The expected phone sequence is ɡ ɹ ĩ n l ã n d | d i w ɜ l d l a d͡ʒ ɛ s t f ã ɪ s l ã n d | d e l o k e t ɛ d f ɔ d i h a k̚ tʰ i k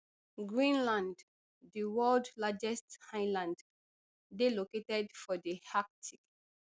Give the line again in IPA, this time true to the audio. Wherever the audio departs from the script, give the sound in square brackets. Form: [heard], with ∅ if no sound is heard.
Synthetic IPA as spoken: ɡ ɹ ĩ n l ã n d | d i w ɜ l d l a d͡ʒ ɛ s t [h] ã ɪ [∅] l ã n d | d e l o k e t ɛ d f ɔ d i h a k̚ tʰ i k